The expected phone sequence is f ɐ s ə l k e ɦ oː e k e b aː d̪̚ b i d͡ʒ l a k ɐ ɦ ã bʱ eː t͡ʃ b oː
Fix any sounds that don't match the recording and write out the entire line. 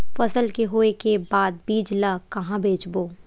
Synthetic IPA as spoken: f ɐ s ə l k e ɦ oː e k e b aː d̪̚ b iː d͡ʒ l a k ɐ ɦ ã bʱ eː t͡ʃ b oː